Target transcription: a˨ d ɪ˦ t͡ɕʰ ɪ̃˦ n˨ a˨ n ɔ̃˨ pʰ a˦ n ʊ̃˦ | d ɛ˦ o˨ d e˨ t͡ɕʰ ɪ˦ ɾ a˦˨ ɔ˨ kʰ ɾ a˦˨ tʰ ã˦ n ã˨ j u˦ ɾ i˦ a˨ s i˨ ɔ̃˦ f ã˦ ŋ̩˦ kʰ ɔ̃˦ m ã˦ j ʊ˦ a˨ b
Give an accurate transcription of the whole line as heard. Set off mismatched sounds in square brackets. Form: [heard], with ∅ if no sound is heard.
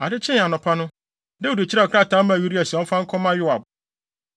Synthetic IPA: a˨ d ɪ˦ t͡ɕʰ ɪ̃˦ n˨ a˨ n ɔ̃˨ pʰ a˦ n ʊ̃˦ | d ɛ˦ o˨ d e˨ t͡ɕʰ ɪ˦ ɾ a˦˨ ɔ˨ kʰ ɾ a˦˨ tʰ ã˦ [m] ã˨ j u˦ ɾ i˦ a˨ s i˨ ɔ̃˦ f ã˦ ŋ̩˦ kʰ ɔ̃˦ m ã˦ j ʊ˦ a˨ b